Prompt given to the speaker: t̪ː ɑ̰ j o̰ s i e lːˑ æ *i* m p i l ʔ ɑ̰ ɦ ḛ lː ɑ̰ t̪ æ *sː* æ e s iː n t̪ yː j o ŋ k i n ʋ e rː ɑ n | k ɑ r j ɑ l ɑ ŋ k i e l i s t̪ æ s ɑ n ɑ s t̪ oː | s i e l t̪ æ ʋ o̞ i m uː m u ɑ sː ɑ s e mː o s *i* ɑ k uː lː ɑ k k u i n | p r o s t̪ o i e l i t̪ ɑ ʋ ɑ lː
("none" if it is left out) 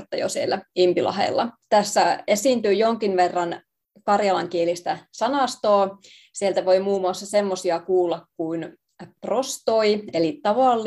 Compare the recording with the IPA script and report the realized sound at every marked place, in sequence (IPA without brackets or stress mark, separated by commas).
i, sː, i